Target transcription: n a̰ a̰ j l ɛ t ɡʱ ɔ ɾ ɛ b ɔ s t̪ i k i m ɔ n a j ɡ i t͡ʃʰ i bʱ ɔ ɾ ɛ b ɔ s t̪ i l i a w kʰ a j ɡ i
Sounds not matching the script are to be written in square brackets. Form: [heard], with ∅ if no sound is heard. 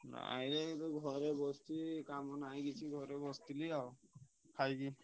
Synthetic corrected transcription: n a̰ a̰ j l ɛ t ɡʱ ɔ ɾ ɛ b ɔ s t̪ i k [a] m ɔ n a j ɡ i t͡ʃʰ i [ɡʱ] ɔ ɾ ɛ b ɔ s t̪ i l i a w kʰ a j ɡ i